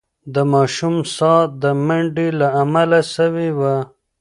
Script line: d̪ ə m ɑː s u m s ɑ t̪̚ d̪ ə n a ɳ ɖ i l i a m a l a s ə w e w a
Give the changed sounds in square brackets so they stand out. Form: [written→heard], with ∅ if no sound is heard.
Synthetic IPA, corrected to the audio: d̪ ə m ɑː [s→ʃ] u m s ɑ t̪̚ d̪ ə [n→m] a ɳ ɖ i l [i→a] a m a l a s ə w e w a